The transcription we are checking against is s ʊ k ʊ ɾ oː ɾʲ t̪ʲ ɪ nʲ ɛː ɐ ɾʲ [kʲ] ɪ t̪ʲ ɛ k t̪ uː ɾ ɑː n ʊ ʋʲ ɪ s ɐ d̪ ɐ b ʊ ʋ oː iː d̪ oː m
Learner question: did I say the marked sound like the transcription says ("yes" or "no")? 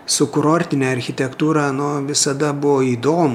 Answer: no